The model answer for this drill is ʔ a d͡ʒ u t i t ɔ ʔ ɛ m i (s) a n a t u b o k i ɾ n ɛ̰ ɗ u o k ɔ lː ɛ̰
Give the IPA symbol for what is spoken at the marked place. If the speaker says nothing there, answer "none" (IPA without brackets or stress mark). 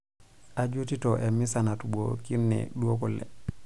s